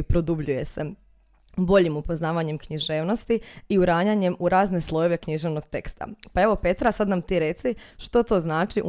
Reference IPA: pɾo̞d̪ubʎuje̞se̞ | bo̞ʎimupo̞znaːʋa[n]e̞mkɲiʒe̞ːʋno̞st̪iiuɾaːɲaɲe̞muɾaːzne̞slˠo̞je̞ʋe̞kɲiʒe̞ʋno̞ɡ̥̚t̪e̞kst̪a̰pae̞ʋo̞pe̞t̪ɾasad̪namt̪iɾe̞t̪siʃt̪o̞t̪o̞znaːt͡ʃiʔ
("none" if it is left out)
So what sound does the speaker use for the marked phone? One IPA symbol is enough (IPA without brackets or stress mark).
ɲ